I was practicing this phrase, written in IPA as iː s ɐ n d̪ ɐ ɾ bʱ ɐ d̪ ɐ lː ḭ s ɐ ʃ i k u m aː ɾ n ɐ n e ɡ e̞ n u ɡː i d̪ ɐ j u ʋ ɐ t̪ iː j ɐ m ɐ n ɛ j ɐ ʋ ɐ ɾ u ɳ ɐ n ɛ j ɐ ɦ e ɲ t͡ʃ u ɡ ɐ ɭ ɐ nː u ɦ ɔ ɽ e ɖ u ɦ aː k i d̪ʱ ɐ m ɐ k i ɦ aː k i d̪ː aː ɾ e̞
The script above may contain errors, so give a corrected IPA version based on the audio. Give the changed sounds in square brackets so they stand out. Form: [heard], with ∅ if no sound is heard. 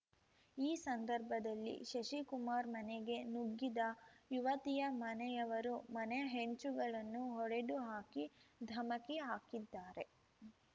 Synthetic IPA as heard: iː s ɐ n d̪ ɐ ɾ bʱ ɐ d̪ ɐ lː ḭ [ʃ] ɐ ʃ i k u m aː ɾ [m] ɐ n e ɡ e̞ n u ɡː i d̪ ɐ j u ʋ ɐ t̪ [i] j ɐ m ɐ n ɛ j ɐ ʋ ɐ ɾ u [m] ɐ n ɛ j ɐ ɦ e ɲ t͡ʃ u ɡ ɐ ɭ ɐ nː u ɦ ɔ ɽ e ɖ u ɦ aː k i d̪ʱ ɐ m ɐ k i ɦ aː k i d̪ː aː ɾ e̞